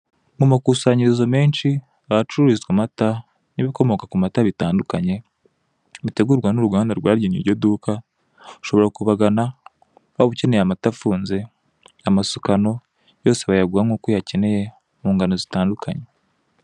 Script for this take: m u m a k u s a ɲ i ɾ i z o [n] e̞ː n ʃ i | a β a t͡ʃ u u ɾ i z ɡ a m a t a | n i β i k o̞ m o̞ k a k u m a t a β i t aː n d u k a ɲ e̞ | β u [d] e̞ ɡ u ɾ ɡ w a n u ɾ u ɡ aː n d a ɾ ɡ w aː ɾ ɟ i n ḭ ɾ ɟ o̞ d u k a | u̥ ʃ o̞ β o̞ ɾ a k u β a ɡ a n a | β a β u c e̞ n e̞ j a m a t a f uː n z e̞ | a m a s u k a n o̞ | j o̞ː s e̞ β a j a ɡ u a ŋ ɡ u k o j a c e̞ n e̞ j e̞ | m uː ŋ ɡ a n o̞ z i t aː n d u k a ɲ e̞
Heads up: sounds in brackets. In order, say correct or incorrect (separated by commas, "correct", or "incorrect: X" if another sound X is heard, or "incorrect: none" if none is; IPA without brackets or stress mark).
incorrect: m, incorrect: t